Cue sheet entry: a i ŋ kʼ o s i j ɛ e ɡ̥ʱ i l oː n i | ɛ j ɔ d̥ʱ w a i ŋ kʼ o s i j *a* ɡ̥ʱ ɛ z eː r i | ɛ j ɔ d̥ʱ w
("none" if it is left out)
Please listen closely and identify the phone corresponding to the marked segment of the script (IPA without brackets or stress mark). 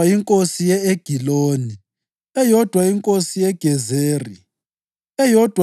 ɛ